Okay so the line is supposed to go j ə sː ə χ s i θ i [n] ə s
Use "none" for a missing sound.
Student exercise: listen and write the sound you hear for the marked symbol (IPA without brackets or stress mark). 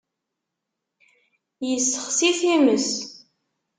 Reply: m